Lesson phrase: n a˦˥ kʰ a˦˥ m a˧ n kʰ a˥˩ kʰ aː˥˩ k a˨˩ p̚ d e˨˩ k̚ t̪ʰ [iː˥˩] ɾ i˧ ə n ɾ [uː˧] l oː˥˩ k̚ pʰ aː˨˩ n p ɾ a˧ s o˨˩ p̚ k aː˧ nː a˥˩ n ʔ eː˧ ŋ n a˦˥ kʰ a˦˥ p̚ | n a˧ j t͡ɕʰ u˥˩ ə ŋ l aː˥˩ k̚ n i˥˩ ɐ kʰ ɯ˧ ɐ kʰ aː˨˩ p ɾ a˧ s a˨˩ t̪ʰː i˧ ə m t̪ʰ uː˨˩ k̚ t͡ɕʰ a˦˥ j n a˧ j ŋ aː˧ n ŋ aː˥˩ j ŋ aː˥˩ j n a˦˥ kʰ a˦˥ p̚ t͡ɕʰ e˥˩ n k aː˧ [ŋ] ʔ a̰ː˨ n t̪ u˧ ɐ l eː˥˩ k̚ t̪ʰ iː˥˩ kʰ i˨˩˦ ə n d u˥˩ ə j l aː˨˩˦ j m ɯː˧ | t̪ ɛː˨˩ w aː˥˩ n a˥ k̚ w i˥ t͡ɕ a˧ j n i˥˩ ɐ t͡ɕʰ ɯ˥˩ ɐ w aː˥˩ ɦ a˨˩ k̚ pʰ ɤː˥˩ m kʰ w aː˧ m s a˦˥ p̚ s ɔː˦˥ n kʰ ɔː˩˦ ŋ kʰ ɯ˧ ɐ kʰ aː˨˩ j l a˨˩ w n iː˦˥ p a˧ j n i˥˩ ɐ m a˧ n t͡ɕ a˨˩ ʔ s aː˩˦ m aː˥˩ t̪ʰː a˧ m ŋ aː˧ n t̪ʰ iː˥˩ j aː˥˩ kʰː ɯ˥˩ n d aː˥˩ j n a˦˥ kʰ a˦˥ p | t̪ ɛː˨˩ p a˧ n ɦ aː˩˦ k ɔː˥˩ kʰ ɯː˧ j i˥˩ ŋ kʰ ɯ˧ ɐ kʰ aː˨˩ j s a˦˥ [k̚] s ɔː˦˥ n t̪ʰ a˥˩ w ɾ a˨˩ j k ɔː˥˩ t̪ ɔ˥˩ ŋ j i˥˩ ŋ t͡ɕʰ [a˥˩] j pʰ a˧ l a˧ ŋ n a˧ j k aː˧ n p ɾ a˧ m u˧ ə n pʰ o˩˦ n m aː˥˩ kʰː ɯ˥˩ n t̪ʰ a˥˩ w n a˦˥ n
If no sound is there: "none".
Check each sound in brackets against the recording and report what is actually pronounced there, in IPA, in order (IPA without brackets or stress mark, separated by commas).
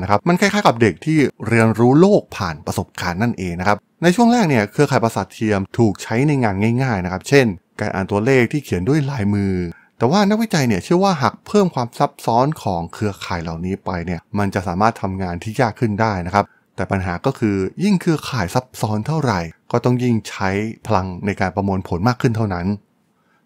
iː˥˩, uː˦˥, n, p̚, a˦˥